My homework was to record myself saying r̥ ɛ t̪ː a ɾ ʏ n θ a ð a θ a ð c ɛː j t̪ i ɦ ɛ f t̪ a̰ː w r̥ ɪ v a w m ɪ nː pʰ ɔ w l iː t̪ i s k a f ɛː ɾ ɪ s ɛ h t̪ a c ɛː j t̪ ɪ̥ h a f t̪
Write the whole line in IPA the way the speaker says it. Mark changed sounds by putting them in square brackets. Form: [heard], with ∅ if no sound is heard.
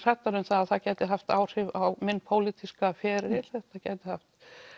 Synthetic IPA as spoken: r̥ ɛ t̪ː a ɾ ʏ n θ a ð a θ a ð c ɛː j t̪ [ɪ] ɦ [a] f t̪ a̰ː w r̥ ɪ v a w m ɪ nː pʰ [o] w l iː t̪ i s k a f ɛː ɾ ɪ [θ] ɛ h t̪ a c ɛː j t̪ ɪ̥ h a f t̪